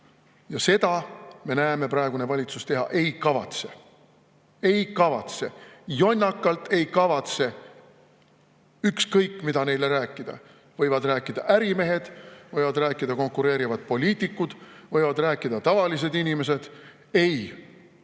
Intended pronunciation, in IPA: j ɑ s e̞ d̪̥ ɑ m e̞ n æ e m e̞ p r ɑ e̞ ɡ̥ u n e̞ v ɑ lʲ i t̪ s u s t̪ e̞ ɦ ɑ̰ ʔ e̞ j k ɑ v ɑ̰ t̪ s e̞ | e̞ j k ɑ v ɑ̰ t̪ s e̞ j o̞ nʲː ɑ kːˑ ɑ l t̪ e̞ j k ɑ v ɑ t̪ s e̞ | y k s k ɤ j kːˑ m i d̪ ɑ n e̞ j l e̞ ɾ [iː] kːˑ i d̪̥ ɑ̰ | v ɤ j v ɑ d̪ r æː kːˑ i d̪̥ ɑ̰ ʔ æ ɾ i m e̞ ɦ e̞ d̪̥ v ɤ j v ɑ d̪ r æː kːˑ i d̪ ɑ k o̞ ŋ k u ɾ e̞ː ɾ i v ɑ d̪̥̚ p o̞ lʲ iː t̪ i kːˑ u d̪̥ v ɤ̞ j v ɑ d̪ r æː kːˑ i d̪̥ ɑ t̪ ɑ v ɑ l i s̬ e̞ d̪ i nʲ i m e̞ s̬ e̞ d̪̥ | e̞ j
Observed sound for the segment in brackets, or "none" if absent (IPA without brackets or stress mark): æː